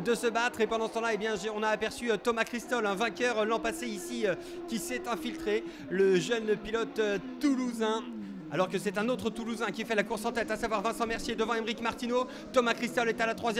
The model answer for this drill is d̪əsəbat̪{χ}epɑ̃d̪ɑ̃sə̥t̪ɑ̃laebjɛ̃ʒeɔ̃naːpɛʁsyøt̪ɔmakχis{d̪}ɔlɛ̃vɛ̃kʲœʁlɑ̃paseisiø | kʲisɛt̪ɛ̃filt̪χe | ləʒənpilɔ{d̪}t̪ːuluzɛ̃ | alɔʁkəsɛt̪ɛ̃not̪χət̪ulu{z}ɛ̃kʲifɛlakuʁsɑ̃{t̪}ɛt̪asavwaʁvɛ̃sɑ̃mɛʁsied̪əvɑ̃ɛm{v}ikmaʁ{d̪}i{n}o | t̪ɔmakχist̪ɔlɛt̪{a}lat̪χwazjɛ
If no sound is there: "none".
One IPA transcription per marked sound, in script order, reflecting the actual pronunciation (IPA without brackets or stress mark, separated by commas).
χ, t̪, t̪, z, t̪, ʁ, t̪, n, a